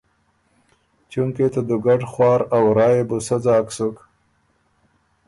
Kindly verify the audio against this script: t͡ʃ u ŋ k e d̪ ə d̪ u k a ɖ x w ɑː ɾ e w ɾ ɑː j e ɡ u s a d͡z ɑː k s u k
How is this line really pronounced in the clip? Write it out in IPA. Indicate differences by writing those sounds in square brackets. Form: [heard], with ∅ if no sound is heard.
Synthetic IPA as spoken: t͡ʃ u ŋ k e [t̪] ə d̪ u [ɡ] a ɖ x w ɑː ɾ [a] w ɾ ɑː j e [b] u s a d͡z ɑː k s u k